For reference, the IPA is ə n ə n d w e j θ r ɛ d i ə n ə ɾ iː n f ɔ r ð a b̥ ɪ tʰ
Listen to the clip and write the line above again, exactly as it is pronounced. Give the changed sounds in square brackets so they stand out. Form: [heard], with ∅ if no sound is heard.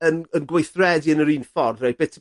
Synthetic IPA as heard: ə n ə n [ɡ] w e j θ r ɛ d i ə n ə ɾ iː n f ɔ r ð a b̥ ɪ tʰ